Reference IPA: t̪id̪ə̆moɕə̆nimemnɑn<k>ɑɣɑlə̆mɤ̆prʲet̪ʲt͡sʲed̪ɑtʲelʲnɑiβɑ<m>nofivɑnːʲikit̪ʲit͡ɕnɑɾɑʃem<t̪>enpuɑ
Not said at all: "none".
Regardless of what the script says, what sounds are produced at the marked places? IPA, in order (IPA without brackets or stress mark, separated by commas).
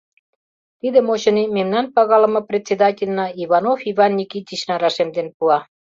p, none, d̪